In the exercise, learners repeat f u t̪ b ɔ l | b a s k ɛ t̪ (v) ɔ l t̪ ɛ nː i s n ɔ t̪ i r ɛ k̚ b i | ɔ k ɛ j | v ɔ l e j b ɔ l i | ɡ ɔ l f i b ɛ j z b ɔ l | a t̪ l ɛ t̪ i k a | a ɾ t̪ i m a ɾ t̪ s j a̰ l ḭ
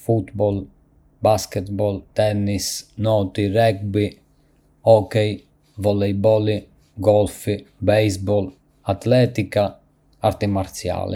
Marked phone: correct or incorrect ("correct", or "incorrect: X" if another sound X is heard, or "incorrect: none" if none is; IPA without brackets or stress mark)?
incorrect: b